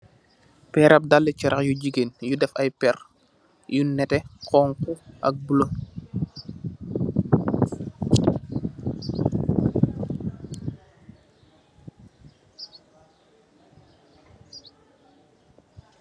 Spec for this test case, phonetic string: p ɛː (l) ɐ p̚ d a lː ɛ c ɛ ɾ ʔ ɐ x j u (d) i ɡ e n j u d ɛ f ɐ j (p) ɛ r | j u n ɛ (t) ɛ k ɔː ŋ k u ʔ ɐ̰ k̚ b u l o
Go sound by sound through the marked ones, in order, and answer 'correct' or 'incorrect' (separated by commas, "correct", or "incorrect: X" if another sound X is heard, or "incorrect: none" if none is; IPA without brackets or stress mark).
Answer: incorrect: ɾ, incorrect: ɟ, correct, correct